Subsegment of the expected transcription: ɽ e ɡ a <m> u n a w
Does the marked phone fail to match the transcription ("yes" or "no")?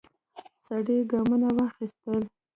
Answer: no